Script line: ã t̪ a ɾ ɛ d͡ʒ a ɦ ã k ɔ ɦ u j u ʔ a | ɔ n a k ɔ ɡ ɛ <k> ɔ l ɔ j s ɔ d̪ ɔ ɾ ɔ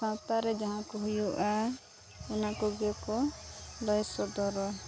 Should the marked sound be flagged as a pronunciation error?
no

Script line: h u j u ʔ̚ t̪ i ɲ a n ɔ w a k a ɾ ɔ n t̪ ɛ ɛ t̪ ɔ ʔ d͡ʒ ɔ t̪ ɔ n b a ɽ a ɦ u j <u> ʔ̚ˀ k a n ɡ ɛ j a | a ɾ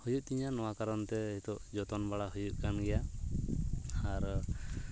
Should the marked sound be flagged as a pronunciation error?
no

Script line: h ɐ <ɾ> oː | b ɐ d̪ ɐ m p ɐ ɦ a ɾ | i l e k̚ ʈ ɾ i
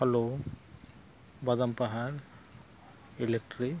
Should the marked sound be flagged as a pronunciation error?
yes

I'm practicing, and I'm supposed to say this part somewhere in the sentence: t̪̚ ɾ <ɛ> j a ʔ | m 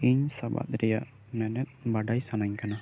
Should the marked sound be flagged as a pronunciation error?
no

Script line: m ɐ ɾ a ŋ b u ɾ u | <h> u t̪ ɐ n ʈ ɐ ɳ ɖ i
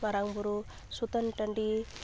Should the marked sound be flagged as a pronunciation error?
yes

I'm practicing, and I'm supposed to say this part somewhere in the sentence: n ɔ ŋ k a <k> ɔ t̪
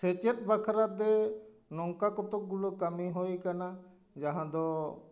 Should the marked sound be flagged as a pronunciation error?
no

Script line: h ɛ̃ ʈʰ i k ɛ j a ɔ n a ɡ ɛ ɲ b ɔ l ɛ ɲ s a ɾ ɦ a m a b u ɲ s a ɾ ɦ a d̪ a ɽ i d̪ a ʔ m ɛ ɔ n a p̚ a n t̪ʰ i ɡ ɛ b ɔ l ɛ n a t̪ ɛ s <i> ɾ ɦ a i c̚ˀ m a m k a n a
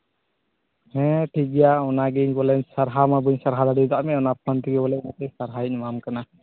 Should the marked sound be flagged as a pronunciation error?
yes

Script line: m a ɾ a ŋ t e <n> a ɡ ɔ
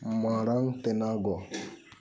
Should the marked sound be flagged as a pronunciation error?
no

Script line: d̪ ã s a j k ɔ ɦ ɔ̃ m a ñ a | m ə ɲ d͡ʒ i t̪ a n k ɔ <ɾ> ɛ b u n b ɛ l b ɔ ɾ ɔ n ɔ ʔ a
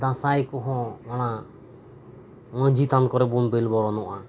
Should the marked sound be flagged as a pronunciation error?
no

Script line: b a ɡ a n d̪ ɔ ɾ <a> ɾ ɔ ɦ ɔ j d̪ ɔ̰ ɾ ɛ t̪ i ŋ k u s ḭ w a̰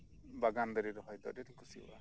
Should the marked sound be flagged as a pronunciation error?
yes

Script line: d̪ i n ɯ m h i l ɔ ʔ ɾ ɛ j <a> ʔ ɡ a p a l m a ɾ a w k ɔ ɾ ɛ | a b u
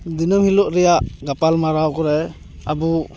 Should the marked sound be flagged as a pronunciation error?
no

